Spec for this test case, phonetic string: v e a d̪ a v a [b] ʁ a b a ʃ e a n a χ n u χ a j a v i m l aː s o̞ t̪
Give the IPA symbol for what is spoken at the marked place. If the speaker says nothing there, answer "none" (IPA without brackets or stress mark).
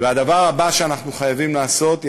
none